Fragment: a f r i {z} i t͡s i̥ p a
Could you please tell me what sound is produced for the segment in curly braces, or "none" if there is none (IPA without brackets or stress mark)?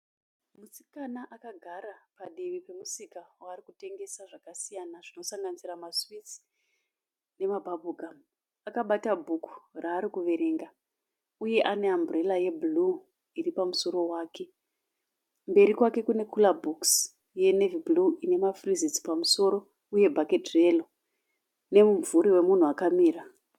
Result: z